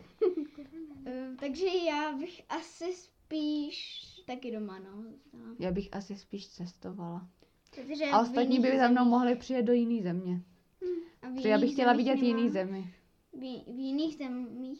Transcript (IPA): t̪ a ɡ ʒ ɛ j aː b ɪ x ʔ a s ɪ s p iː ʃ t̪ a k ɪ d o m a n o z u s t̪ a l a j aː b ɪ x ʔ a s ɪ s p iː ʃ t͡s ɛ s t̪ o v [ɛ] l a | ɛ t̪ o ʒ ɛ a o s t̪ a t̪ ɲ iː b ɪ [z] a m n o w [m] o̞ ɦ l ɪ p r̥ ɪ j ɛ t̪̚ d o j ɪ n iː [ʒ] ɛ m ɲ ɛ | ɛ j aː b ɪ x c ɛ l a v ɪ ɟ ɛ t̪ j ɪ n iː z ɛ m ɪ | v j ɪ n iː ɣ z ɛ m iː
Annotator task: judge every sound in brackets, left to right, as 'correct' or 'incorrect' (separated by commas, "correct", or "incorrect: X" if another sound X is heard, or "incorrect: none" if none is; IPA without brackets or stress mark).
incorrect: a, correct, correct, incorrect: z